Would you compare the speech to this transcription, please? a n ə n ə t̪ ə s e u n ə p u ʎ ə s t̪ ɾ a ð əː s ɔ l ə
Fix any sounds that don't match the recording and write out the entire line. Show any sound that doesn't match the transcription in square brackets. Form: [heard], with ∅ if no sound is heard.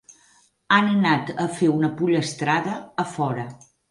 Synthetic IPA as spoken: a n ə n [a] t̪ ə [f] e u n ə p u ʎ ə s t̪ ɾ a ð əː [f] ɔ [ɾ] ə